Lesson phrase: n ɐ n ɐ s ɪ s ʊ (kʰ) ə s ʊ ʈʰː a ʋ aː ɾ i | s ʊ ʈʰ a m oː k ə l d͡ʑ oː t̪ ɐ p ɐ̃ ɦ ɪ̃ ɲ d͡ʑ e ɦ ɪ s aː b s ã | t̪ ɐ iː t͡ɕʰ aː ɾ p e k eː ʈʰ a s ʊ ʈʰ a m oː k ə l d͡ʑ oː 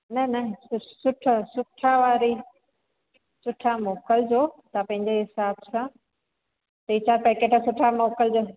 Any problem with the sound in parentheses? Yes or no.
yes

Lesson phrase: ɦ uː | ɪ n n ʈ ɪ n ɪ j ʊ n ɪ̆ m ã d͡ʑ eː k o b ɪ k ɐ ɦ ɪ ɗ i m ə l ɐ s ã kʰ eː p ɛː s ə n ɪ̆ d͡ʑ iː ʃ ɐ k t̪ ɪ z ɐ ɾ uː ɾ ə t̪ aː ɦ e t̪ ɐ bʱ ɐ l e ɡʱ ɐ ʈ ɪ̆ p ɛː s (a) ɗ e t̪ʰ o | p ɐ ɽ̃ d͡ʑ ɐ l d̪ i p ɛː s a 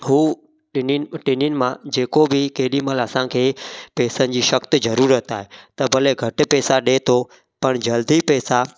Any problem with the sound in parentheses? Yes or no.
no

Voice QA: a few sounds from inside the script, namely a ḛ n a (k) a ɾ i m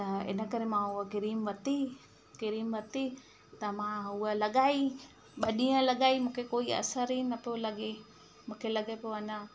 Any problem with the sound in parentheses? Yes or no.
no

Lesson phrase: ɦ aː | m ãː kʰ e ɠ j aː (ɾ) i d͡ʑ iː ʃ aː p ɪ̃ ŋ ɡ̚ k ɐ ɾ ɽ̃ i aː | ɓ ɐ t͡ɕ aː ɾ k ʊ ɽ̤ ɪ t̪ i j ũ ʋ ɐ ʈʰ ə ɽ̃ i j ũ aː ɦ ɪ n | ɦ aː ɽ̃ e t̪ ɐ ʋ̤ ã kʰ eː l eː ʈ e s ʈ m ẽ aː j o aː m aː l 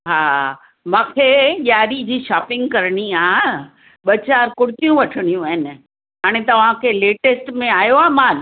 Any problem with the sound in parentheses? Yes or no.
no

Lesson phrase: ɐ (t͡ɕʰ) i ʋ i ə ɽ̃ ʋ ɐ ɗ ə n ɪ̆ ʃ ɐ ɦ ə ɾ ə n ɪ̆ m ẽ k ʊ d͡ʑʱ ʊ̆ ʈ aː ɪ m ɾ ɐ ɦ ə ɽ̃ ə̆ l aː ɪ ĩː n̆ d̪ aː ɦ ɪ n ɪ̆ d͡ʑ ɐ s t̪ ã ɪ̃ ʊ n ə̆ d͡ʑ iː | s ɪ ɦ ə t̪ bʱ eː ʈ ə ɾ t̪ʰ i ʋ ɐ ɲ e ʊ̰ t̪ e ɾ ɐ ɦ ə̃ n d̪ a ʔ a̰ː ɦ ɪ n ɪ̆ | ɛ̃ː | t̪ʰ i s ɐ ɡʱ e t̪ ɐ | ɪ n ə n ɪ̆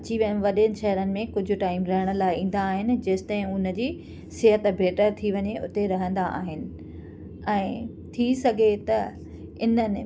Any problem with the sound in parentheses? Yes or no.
yes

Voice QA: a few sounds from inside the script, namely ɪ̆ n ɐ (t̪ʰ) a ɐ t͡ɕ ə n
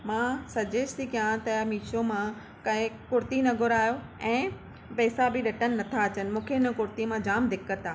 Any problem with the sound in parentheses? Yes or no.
no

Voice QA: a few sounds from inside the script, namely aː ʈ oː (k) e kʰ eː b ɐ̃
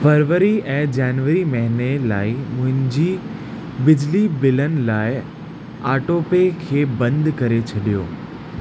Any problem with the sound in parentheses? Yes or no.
yes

